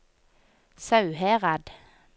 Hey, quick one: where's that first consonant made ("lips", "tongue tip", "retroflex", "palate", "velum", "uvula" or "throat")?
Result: tongue tip